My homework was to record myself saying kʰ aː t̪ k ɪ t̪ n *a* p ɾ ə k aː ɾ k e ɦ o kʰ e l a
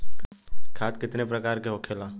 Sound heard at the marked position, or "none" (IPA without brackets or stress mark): e